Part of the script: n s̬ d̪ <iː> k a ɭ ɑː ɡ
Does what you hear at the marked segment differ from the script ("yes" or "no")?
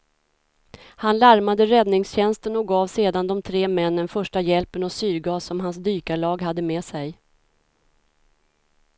yes